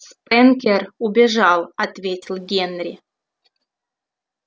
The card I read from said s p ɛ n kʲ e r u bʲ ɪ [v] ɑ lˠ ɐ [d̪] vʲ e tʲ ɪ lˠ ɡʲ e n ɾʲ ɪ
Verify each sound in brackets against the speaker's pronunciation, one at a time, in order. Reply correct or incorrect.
incorrect, incorrect

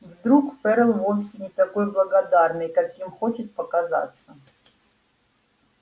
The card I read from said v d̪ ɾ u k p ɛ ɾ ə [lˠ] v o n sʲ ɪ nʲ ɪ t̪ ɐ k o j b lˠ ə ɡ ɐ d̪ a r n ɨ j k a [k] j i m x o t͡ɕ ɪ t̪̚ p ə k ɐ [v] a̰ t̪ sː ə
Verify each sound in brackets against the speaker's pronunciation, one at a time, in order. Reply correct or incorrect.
correct, correct, incorrect

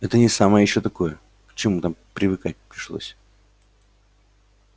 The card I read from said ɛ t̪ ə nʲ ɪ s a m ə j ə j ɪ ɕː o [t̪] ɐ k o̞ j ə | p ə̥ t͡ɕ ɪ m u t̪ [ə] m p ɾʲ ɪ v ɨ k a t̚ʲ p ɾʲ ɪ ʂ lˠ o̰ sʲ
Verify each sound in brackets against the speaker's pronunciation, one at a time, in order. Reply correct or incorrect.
correct, incorrect

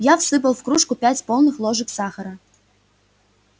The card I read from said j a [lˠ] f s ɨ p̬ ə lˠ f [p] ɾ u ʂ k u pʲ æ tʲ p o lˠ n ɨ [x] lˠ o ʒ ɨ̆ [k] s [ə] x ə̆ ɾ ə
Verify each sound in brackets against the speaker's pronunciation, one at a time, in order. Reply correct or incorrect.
incorrect, incorrect, correct, correct, incorrect

